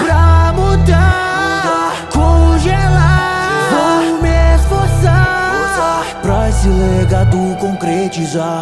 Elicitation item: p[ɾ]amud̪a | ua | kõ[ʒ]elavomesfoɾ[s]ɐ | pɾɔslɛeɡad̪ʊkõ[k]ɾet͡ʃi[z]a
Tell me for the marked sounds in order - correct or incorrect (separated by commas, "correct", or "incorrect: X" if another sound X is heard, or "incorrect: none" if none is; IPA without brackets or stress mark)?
correct, correct, correct, correct, correct